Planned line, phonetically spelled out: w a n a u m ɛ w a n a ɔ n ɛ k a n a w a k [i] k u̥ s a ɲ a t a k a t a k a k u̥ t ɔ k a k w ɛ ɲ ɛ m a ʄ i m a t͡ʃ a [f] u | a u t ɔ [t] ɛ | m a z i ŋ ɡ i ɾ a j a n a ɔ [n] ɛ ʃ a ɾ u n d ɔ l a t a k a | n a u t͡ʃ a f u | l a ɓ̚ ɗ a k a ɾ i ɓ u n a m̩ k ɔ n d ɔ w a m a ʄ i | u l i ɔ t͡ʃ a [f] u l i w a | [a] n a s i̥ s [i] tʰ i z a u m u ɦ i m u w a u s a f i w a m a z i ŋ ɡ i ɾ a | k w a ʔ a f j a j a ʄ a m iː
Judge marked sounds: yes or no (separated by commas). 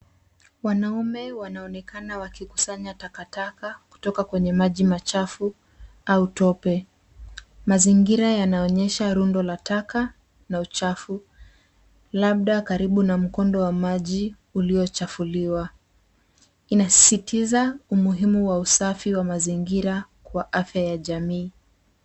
yes, yes, no, no, yes, no, yes